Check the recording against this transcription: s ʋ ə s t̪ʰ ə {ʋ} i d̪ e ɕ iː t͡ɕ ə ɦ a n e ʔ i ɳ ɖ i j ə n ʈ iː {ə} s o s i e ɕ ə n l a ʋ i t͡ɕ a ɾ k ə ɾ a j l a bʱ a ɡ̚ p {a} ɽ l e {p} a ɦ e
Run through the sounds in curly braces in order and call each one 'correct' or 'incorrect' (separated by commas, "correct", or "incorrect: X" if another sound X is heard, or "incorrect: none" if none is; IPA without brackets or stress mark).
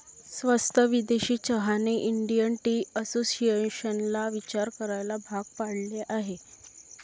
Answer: correct, correct, correct, incorrect: ʔ